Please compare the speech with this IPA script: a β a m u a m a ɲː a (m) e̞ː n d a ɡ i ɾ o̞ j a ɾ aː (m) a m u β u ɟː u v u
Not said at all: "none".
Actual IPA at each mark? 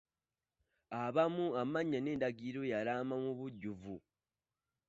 n, m

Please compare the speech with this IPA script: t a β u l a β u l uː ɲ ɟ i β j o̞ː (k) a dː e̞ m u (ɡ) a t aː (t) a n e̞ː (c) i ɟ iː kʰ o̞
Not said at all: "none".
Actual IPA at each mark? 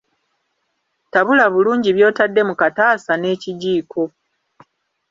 t, k, s, c

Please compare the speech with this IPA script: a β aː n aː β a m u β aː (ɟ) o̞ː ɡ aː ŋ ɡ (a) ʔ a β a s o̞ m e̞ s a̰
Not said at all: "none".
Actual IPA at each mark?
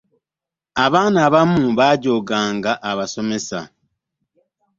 ɟ, a

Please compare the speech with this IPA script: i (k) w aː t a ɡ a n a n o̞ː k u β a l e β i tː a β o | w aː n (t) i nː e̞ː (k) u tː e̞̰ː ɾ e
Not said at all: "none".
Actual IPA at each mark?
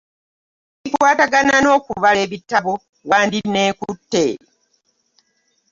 k, d, k

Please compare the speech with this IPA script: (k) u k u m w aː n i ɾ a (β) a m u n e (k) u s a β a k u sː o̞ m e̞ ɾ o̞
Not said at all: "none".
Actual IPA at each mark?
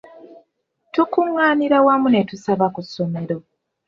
t, w, t

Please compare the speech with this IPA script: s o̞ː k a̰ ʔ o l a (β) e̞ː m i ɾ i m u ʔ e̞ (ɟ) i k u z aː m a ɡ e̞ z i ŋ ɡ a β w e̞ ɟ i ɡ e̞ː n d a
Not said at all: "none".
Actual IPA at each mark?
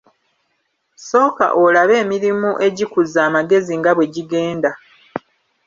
β, ɟ

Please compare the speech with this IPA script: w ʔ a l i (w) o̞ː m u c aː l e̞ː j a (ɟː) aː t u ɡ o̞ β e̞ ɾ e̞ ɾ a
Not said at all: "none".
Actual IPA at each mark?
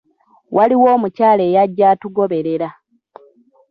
w, ɟː

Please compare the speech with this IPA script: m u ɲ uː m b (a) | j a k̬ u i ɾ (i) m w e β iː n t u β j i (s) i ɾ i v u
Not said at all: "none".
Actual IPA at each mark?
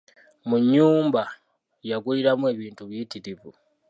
a, a, t

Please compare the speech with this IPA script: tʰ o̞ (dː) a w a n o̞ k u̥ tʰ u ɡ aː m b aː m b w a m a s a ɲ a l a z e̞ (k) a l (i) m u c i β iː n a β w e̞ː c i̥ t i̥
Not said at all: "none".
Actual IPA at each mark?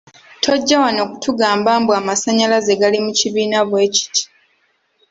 ɟː, ɡ, i

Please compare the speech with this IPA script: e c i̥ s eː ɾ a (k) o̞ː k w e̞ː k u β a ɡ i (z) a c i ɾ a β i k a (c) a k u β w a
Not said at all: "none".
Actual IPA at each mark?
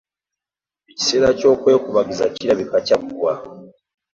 c, z, c

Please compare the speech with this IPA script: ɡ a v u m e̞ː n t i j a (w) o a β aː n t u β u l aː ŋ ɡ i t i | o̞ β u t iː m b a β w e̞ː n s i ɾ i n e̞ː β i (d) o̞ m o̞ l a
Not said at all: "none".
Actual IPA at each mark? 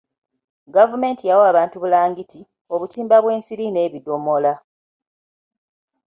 w, d

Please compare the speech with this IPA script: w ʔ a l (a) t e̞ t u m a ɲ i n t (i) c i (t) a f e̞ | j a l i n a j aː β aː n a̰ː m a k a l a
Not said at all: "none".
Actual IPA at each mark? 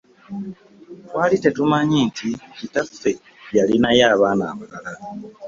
i, i, t

